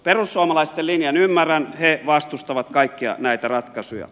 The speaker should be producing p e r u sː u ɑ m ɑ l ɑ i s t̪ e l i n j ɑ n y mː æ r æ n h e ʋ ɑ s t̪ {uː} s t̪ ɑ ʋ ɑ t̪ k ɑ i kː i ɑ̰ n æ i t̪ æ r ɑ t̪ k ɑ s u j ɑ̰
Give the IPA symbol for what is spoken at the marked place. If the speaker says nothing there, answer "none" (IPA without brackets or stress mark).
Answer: u